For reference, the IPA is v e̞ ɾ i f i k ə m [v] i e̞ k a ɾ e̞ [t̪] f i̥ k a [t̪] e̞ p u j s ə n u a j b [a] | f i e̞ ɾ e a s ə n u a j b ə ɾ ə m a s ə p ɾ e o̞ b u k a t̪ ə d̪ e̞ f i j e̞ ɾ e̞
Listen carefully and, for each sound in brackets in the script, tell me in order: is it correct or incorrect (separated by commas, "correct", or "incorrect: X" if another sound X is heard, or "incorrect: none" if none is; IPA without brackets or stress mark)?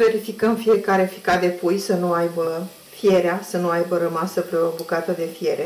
incorrect: f, incorrect: none, incorrect: d̪, incorrect: ə